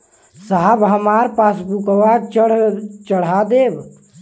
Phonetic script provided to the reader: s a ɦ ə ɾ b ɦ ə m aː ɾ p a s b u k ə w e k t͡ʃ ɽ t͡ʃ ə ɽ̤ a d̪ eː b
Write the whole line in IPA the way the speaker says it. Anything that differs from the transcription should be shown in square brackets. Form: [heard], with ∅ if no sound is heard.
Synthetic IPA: s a ɦ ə [∅] b ɦ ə m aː ɾ p a s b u k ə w [a] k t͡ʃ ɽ t͡ʃ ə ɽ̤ a d̪ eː b